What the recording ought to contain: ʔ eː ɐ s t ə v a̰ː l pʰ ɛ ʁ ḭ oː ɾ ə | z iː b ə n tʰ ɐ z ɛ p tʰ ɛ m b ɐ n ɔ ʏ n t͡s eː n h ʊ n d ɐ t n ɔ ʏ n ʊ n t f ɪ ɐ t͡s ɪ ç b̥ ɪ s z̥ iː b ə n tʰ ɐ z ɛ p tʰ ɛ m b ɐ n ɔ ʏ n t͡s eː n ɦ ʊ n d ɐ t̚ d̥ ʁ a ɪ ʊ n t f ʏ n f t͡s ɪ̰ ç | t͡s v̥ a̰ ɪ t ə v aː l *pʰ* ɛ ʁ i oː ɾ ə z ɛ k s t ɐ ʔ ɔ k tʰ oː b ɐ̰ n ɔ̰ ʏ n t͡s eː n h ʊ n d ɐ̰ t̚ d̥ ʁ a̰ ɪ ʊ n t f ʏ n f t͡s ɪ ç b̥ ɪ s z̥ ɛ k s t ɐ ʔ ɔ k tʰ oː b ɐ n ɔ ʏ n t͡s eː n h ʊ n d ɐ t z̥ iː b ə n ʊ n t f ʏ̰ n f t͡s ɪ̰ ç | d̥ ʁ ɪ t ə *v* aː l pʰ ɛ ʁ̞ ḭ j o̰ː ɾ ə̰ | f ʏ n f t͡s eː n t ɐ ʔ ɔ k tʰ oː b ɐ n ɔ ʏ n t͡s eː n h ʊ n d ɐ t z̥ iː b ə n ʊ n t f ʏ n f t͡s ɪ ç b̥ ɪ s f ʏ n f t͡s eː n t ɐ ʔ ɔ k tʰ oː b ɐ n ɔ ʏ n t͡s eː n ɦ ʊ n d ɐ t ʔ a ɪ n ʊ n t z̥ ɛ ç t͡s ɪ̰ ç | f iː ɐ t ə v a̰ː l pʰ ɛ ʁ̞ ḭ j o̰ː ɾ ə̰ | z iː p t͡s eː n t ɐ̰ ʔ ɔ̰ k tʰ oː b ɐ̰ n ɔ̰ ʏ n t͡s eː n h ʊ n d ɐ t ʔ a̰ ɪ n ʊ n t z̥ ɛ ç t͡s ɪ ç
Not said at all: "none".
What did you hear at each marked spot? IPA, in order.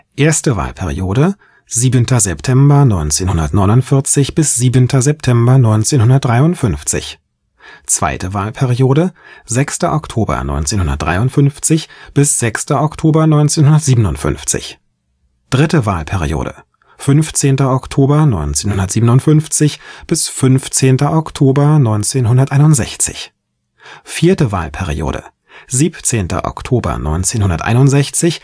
pʰ, v

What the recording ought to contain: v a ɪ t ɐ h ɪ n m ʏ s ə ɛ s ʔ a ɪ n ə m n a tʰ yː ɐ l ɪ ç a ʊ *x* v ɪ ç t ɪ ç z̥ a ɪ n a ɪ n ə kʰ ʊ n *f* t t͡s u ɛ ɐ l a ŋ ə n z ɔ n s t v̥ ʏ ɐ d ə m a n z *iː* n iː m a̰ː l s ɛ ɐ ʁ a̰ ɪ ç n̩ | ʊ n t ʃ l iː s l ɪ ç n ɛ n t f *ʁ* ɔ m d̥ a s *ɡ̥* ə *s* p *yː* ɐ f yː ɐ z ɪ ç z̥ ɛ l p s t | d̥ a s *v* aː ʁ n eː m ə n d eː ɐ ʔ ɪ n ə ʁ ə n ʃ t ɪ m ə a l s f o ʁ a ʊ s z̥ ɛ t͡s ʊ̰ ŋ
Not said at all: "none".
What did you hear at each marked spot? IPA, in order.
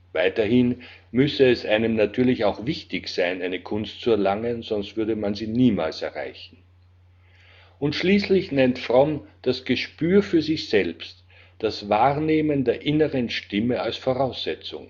x, s, iː, ʁ, ɡ̥, ʃ, yː, v

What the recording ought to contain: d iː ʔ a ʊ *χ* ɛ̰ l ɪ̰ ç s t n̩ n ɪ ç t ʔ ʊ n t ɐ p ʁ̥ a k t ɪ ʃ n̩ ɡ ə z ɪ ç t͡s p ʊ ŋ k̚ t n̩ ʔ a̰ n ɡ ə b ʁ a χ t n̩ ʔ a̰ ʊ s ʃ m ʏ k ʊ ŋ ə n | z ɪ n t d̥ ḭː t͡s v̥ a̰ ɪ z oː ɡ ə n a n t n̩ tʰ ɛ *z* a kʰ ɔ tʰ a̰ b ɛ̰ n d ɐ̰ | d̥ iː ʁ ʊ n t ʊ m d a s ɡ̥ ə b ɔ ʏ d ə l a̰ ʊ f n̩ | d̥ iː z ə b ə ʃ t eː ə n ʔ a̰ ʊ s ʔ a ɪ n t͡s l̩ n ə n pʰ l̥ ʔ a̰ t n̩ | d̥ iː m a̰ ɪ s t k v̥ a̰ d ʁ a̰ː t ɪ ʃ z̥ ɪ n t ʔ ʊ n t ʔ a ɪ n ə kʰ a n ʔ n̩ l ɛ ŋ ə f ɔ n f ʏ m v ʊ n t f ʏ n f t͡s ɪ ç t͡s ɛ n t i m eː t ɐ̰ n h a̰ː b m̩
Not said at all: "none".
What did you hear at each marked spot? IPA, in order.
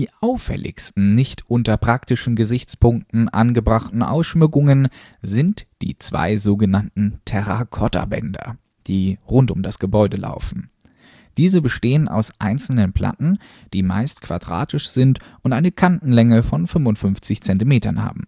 f, ʁ

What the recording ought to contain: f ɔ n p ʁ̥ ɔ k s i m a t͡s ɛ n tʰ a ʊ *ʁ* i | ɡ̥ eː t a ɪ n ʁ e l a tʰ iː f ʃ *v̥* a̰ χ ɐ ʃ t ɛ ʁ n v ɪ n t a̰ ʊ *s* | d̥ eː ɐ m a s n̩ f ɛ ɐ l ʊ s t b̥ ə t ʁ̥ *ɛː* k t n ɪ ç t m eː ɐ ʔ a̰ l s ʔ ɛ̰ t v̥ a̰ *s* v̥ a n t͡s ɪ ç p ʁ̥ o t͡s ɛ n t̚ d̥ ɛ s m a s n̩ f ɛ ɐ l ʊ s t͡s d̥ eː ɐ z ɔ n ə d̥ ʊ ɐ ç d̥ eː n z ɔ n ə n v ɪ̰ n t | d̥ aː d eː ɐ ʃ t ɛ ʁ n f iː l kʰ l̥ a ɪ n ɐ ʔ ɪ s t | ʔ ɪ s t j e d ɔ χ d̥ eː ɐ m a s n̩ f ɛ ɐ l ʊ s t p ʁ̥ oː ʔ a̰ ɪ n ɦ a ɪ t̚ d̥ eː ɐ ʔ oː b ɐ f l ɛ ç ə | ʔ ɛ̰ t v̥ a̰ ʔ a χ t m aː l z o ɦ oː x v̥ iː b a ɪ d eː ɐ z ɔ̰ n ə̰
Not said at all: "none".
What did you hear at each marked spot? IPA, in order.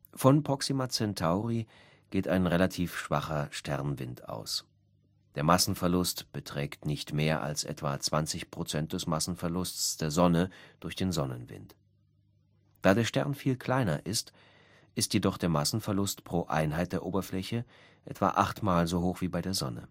ʁ, v̥, s, ɛː, t͡s

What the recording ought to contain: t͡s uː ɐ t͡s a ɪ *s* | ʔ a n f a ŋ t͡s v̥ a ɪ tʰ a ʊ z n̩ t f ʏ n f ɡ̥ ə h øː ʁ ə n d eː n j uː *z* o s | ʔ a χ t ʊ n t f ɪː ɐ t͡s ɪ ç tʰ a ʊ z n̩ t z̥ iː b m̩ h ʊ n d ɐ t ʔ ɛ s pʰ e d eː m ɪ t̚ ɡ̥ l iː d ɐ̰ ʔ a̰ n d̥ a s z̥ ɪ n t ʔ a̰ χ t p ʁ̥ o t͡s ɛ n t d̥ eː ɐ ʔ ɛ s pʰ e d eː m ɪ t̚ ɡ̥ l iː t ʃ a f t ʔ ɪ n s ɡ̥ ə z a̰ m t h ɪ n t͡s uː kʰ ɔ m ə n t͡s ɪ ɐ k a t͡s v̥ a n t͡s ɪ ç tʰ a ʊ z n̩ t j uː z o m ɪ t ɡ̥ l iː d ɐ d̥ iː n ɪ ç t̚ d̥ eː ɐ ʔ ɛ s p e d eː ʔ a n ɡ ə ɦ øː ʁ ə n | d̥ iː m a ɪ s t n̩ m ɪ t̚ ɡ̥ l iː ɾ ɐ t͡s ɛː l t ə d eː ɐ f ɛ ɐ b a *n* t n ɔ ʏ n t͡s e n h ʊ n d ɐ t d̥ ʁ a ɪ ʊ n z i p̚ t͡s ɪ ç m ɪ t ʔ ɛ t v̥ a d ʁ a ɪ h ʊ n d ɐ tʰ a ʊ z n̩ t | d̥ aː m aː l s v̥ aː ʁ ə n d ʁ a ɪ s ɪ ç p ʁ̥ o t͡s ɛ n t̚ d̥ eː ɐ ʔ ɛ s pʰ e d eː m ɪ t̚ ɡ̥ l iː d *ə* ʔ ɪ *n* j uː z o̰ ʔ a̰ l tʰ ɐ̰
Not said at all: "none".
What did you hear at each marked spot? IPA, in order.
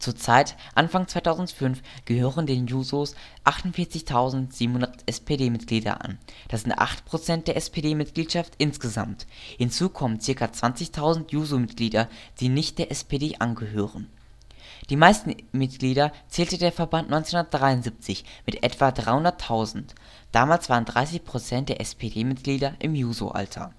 t, z, n, ɐ, m

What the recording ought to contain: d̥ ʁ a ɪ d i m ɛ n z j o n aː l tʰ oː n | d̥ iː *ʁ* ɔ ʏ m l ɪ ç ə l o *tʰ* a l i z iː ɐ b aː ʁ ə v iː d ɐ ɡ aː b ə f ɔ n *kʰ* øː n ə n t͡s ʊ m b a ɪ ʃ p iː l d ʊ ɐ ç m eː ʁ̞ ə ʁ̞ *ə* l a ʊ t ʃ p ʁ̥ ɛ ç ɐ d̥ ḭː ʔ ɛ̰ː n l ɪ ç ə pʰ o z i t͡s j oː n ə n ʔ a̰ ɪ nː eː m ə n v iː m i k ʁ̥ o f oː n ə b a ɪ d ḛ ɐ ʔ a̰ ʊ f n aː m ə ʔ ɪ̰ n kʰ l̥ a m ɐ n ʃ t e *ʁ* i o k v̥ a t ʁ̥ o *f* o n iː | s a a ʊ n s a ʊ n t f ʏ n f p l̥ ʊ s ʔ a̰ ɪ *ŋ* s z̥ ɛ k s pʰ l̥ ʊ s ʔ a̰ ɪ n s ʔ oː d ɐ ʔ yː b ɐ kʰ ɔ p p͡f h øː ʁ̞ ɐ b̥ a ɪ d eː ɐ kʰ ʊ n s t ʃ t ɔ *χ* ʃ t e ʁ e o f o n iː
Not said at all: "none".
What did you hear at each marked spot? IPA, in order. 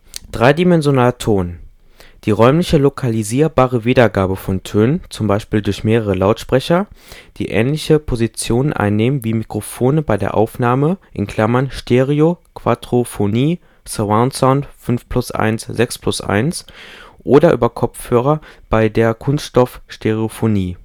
ʁ, kʰ, tʰ, ə, ʁ, f, n, f

